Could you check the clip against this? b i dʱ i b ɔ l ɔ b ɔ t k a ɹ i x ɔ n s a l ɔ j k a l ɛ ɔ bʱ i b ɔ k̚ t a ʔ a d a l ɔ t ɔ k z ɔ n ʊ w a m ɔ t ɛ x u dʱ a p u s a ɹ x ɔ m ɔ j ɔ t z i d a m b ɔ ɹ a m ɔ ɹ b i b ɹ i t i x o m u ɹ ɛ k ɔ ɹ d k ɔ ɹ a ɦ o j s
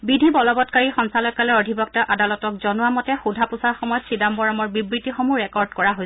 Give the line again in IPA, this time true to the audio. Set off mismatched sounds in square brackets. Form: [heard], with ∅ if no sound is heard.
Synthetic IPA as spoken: b i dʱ i b ɔ l ɔ b ɔ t k a ɹ i x ɔ n s a l ɔ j k a l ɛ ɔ [dʱ] i b ɔ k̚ t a ʔ a d a l ɔ t ɔ k z ɔ n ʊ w a m ɔ t ɛ x u dʱ a p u s a ɹ x ɔ m ɔ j ɔ t [s] i d a m b ɔ ɹ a m ɔ ɹ b i b ɹ i t i x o m u ɹ ɛ k ɔ ɹ d k ɔ ɹ a ɦ o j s